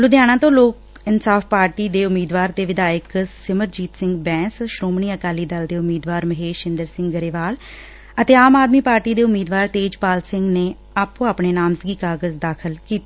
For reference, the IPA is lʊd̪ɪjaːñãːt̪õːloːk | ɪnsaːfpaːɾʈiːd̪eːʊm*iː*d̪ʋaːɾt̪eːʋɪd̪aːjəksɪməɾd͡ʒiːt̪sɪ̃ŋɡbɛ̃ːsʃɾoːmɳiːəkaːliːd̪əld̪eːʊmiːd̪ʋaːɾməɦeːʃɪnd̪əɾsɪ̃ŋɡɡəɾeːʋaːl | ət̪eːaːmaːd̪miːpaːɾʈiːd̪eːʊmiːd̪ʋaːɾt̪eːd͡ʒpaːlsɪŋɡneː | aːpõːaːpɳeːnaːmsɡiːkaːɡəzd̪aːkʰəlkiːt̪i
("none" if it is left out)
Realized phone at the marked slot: iː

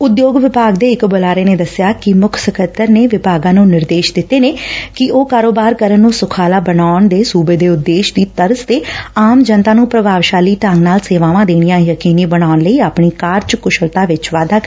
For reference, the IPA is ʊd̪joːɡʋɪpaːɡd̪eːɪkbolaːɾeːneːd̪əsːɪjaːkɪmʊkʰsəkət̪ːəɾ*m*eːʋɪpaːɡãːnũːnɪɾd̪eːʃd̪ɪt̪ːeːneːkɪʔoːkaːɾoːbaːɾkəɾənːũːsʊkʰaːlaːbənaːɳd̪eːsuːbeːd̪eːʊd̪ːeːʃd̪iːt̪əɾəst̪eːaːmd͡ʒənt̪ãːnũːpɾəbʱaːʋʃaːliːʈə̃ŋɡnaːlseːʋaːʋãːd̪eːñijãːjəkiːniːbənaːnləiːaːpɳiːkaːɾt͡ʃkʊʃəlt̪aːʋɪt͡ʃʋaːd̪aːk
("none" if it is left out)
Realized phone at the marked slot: n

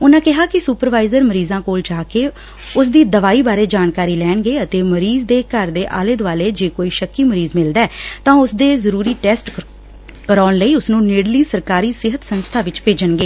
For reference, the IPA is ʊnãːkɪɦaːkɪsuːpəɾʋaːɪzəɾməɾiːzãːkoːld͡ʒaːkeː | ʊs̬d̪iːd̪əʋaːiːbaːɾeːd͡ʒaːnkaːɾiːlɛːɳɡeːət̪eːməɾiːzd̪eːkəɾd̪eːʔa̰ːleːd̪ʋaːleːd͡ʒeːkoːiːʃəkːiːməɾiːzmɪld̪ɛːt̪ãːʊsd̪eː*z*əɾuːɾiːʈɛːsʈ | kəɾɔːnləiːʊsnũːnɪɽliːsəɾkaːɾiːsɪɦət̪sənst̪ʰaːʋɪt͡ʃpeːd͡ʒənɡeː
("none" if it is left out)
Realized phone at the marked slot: z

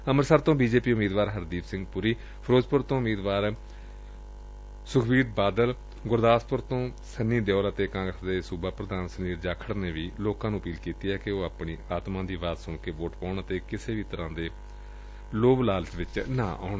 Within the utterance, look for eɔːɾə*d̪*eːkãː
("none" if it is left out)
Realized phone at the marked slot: t̪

